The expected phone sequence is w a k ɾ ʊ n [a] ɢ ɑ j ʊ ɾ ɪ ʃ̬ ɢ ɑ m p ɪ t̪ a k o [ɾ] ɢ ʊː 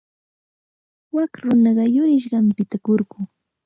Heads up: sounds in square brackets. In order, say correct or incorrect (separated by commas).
incorrect, correct